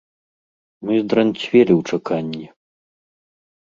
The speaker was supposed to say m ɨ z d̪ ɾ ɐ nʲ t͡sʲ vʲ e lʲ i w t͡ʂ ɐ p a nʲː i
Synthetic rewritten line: m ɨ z d̪ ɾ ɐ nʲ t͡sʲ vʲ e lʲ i w t͡ʂ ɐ k a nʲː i